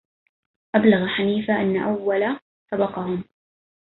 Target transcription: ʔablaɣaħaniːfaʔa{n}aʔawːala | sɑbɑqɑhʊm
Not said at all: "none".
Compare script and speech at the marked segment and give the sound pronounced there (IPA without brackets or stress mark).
nː